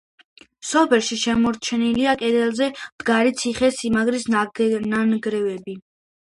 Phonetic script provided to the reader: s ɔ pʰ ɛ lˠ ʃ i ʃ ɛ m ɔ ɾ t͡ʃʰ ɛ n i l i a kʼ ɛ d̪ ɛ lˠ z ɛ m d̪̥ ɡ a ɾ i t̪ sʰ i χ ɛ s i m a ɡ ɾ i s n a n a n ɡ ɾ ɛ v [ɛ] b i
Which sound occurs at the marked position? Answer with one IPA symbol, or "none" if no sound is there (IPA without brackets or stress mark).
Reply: ɛ